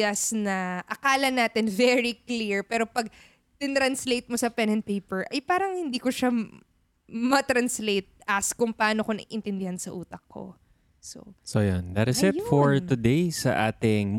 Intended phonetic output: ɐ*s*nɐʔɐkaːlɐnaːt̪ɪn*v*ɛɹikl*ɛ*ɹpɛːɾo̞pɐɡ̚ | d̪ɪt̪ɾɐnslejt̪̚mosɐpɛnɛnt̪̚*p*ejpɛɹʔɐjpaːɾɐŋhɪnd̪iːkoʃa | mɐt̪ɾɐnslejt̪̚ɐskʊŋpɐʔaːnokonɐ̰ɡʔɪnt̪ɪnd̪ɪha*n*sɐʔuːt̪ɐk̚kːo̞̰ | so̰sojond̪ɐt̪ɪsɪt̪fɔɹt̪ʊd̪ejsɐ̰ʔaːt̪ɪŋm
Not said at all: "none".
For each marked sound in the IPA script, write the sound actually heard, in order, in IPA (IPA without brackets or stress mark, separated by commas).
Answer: s, v, i, p, n